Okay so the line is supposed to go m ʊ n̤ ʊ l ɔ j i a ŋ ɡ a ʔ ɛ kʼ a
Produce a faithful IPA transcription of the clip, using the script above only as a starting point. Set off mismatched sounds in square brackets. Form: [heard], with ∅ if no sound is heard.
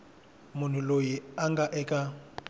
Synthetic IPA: m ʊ n̤ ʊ l [o] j i a ŋ ɡ a ʔ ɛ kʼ a